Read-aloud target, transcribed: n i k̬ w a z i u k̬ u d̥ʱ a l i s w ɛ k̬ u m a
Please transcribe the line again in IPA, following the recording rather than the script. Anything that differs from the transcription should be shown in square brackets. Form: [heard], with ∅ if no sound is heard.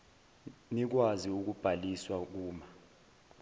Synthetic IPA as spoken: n i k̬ w a z i u k̬ u [b̥ʱ] a l i s w [a] k̬ [uː] m a